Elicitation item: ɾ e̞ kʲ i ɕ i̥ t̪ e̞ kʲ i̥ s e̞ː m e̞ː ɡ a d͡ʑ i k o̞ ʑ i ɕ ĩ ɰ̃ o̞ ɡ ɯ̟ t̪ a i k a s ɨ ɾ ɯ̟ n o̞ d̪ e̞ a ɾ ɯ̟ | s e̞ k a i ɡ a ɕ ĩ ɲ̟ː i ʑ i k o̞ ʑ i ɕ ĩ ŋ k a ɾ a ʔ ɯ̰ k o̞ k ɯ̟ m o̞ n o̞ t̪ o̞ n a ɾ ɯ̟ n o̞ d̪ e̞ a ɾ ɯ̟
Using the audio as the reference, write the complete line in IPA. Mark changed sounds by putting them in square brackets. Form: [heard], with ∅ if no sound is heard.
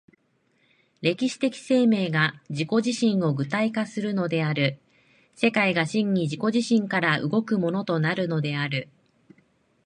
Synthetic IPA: ɾ e̞ kʲ i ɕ i̥ t̪ e̞ kʲ i̥ s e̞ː m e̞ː ɡ a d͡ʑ i k o̞ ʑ i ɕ ĩ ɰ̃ o̞ ɡ ɯ̟ t̪ a i k a s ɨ ɾ ɯ̟ n o̞ d̪ e̞ a ɾ ɯ̟ | s e̞ k a i ɡ a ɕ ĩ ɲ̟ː i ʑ i k o̞ ʑ i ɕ ĩ ŋ k a ɾ a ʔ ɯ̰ [ɡ] o̞ k ɯ̟ m o̞ n o̞ t̪ o̞ n a ɾ ɯ̟ n o̞ d̪ e̞ a ɾ ɯ̟